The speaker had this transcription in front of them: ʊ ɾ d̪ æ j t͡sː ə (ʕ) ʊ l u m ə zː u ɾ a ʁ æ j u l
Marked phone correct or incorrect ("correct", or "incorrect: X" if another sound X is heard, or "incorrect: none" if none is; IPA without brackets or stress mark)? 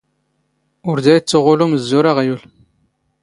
incorrect: ʁ